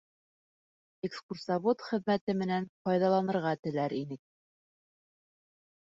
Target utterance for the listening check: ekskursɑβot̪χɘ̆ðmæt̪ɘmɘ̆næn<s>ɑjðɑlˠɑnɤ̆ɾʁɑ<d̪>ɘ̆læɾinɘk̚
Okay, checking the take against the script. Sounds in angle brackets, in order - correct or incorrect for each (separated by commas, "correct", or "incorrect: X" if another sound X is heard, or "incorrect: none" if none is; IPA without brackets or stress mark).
incorrect: f, incorrect: t̪